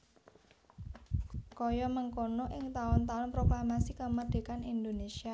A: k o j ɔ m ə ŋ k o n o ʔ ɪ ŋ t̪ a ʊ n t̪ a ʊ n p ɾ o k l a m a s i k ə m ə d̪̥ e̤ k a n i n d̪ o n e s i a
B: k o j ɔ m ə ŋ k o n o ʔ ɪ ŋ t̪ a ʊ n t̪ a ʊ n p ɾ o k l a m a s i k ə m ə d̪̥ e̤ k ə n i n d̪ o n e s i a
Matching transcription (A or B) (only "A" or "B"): A